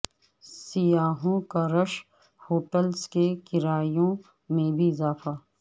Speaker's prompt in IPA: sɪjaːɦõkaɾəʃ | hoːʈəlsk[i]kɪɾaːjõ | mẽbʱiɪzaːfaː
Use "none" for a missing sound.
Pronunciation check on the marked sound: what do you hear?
e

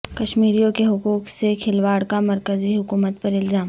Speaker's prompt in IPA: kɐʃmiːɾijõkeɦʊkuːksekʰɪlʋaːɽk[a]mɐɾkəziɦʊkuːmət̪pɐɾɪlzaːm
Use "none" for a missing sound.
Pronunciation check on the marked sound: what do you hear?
a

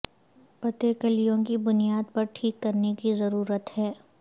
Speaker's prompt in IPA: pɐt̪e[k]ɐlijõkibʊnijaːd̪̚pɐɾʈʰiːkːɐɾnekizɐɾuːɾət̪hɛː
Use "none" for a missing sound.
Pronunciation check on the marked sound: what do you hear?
k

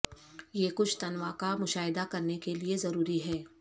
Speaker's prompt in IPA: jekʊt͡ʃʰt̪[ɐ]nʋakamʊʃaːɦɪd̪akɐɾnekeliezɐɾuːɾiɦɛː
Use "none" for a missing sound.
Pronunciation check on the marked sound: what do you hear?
ɐ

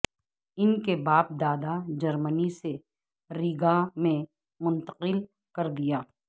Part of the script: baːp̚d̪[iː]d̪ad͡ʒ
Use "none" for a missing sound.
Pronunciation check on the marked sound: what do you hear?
aː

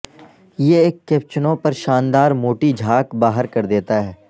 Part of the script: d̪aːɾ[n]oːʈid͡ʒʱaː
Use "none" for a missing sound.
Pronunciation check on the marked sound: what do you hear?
m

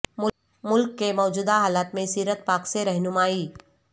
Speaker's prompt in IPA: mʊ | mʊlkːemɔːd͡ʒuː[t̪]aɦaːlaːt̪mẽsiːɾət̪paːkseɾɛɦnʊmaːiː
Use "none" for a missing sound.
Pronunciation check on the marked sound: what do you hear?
d̪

